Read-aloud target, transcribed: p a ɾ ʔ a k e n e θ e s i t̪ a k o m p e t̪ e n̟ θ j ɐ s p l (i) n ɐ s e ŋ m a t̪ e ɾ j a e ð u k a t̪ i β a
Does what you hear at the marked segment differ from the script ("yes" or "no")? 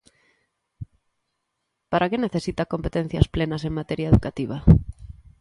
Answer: yes